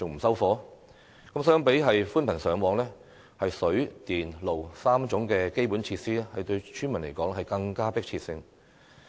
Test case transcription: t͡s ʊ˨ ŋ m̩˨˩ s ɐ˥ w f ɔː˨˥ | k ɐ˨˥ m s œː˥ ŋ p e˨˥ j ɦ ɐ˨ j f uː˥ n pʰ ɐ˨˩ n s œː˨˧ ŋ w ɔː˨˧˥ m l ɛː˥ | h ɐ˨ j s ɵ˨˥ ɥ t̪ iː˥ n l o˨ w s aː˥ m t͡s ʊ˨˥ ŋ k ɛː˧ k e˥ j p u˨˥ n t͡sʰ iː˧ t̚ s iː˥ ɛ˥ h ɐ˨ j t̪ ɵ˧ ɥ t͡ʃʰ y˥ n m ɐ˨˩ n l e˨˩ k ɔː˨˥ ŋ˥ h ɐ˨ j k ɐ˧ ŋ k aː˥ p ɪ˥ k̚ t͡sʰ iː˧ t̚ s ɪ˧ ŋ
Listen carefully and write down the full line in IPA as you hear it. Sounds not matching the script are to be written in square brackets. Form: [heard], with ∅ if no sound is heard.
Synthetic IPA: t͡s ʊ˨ ŋ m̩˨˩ s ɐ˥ w f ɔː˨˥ | k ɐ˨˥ m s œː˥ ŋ p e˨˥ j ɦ ɐ˨ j f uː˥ n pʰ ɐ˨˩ n s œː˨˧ ŋ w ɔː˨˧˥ [ŋ] l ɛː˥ | h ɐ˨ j s ɵ˨˥ ɥ t̪ [iː˨] n l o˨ w s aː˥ m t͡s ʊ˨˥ ŋ k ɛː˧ k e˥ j p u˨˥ n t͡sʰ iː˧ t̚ s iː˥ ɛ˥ h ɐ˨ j t̪ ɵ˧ ɥ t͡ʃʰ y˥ n m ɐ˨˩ n l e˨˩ k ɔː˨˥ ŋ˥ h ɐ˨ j k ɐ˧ ŋ k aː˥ p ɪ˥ k̚ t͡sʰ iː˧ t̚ s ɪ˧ ŋ